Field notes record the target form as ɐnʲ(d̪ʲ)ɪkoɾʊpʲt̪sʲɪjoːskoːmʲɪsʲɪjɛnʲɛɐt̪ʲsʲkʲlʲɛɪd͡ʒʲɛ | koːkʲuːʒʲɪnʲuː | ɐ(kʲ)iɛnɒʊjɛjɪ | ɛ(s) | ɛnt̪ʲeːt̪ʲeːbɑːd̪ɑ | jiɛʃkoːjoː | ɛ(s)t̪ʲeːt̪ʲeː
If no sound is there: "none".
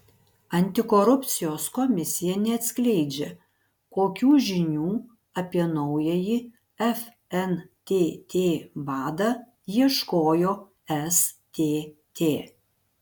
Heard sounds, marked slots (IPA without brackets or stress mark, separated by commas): t̪ʲ, pʲ, f, s